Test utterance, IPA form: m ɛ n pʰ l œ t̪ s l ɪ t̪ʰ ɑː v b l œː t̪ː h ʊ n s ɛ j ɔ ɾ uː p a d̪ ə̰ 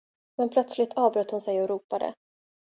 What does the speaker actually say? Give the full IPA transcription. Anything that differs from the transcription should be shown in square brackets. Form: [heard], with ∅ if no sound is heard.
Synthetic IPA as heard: m ɛ n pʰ l œ t̪ s l ɪ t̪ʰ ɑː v b [ɾ] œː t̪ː h ʊ n s ɛ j ɔ ɾ uː p a d̪ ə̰

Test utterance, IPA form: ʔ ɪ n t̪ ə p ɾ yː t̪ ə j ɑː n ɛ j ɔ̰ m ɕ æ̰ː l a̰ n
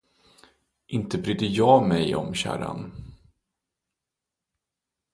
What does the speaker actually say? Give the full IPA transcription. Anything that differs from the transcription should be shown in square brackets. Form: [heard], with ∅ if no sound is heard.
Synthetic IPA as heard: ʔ ɪ n t̪ ə [b] ɾ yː [d̪] ə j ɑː [m] ɛ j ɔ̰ m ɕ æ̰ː [ɾ] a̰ n

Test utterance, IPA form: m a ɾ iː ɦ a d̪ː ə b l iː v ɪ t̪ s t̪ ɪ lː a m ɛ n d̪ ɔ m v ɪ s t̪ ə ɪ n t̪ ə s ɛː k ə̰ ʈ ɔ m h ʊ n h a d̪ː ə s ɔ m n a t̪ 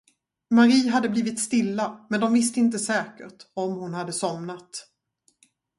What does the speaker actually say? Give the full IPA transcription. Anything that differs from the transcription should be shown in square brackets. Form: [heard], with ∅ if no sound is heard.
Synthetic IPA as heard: m a ɾ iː ɦ a d̪ː ə b l iː v ɪ t̪ s t̪ ɪ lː a m ɛ n d̪ ɔ m v ɪ s t̪ ə ɪ n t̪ ə s ɛː k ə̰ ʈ ɔ m h ʊ n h a d̪ː ə s ɔ m n a t̪

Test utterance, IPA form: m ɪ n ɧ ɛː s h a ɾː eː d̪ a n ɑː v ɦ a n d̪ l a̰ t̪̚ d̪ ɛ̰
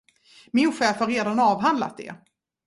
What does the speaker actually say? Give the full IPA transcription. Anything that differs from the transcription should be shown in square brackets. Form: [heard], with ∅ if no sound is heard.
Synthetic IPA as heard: m ɪ n ɧ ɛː [f] h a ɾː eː d̪ a n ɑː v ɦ a n d̪ l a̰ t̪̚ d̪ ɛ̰

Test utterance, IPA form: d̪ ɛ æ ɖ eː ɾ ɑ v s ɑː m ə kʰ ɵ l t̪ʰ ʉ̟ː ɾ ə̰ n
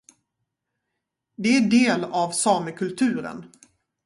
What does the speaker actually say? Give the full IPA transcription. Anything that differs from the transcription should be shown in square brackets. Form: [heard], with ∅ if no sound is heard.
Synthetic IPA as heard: d̪ ɛ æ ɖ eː [l] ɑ v s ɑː m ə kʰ ɵ l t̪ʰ ʉ̟ː ɾ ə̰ n

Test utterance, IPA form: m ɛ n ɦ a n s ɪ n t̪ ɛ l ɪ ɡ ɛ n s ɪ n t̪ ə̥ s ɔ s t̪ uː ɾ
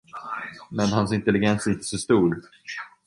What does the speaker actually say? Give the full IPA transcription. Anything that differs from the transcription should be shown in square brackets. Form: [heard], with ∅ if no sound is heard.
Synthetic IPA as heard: m ɛ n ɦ a n s ɪ n t̪ ɛ l ɪ ɡ ɛ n s ɪ n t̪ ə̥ s ɔ s t̪ uː ɾ

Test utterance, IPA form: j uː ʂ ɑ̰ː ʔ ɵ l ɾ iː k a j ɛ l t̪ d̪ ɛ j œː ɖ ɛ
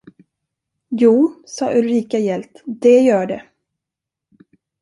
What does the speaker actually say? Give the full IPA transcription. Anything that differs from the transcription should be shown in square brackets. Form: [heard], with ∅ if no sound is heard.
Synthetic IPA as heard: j uː [s] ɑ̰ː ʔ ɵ l ɾ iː k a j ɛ l t̪ d̪ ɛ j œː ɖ ɛ

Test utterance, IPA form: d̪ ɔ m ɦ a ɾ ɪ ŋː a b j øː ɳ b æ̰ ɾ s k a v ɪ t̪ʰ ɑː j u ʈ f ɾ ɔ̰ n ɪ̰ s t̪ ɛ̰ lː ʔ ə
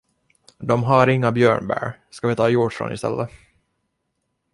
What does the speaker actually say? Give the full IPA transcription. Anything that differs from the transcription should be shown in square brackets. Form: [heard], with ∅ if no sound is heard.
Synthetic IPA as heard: d̪ ɔ m ɦ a ɾ ɪ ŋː a b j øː ɳ b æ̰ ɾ s k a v ɪ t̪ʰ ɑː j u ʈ f ɾ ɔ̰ n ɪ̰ s t̪ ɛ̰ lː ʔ ə

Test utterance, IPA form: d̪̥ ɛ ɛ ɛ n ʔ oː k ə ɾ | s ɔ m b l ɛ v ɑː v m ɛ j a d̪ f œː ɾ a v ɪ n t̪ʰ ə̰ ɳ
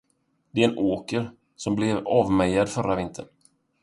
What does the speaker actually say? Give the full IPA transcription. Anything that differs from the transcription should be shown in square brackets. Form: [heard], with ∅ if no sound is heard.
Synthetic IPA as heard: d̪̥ ɛ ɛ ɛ n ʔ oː k ə ɾ | s ɔ m b l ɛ v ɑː v m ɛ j a d̪ f [œ] ɾ a v ɪ n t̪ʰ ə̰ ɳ

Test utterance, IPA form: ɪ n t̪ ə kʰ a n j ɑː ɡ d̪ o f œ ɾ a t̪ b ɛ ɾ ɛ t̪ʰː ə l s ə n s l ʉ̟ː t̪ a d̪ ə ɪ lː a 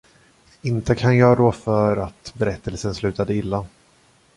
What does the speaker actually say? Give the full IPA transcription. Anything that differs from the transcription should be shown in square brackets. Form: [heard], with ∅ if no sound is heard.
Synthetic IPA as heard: ɪ n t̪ ə kʰ a n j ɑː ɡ d̪ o f œ ɾ a t̪ b ɛ ɾ ɛ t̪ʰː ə l s ə n s l ʉ̟ː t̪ a d̪ ə ɪ lː a

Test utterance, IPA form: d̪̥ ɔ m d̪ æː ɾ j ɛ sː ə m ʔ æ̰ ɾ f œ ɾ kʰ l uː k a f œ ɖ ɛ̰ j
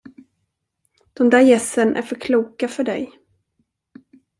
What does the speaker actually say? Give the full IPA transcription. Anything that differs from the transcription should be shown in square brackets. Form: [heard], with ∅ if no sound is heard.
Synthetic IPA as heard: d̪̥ ɔ m d̪ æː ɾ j ɛ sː ə [n] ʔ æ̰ ɾ f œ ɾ kʰ l uː k a f œ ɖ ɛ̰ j

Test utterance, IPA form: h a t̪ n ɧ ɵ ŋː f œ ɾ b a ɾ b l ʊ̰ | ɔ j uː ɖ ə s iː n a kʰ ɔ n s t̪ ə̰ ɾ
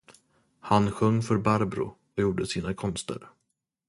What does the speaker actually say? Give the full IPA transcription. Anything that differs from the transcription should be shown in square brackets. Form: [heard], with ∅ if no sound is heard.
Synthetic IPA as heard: h a [∅] n ɧ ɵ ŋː f œ ɾ b a ɾ b [ɾ] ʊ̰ | ɔ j uː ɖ ə s iː n a kʰ ɔ n s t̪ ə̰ ɾ

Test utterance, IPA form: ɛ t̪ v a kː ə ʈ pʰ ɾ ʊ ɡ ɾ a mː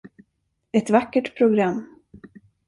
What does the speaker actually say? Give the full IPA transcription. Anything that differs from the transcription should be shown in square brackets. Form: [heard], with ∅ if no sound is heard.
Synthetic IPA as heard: ɛ t̪ v a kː ə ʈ pʰ ɾ ʊ ɡ ɾ a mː

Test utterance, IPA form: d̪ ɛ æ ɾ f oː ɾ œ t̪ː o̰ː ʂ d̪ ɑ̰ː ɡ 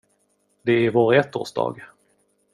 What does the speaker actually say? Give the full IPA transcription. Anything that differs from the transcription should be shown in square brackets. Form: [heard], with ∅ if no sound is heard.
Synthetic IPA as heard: d̪ ɛ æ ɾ [v] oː ɾ [ɛ] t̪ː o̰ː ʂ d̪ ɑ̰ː ɡ

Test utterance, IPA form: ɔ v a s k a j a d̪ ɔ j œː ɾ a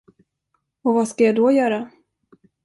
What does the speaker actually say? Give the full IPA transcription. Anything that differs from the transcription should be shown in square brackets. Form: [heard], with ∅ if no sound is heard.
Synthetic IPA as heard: ɔ v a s k a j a d̪ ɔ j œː ɾ a

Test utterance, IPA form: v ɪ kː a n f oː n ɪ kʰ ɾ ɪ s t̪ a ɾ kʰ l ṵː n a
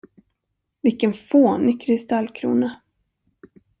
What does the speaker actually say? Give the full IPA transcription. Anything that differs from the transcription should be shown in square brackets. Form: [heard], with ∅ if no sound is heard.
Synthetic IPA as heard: v ɪ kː [ə] n f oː n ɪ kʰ ɾ ɪ s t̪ a [l] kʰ [ɾ] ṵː n a

